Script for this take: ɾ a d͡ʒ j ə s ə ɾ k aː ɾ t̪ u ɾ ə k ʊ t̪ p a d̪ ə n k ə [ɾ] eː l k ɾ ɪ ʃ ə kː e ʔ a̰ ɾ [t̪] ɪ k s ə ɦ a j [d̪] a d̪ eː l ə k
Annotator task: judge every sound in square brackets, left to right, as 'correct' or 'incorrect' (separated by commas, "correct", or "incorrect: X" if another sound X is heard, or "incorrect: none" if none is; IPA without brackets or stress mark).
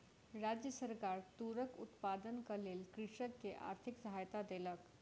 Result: incorrect: l, incorrect: t̪ʰ, incorrect: t̪